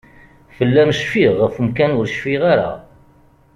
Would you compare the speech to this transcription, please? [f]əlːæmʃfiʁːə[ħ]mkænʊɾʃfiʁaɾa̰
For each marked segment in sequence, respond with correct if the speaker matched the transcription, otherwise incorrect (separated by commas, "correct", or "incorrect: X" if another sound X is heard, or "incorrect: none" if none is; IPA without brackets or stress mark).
correct, incorrect: f